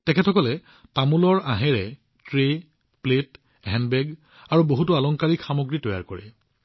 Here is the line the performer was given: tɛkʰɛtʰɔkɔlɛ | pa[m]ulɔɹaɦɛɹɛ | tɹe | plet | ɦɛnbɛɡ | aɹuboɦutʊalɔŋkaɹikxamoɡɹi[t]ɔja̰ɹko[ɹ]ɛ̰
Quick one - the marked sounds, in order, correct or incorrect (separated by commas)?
correct, correct, correct